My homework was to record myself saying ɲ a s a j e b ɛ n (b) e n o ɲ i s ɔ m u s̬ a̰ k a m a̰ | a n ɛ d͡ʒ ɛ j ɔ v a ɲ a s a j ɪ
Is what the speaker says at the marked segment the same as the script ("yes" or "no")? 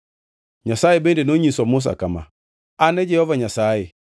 no